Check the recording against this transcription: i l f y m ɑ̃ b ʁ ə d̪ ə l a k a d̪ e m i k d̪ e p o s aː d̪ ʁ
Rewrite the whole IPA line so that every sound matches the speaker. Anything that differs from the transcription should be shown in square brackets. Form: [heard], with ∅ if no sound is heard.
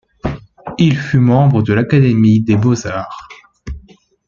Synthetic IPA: i l f y m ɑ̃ b ʁ ə d̪ ə l a k a d̪ e m i [∅] d̪ e [b] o [z] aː [∅] ʁ